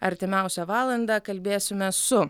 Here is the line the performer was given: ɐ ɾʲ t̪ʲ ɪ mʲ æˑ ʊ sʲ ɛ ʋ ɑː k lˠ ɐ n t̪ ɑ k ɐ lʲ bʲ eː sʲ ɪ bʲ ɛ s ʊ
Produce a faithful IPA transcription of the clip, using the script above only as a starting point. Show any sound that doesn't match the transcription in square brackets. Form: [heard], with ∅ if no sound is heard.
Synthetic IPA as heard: ɐ ɾʲ t̪ʲ ɪ mʲ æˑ ʊ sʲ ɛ ʋ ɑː [∅] lˠ ɐ n [d̪] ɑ k ɐ lʲ bʲ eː sʲ ɪ [mʲ] ɛ s ʊ